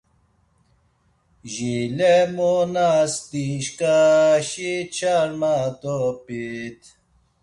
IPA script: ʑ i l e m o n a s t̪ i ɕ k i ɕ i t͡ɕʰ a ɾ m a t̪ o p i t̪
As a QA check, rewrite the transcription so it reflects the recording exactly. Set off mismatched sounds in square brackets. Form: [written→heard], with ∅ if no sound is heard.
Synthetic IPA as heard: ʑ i l e m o n a s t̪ i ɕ k [i→a] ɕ i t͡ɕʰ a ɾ m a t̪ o p i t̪